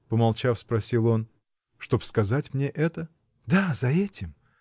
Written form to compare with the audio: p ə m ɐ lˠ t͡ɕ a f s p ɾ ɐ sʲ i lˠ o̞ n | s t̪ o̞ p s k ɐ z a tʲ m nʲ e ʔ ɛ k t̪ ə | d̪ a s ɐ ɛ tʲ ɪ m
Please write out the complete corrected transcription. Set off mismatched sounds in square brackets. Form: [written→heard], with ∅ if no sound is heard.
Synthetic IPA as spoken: p ə m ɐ lˠ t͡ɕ a f s p ɾ ɐ sʲ i lˠ o̞ n | [s→ʂ] t̪ o̞ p s k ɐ z a tʲ m nʲ e ʔ ɛ [k→∅] t̪ ə | d̪ a [s→z] ɐ ɛ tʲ ɪ m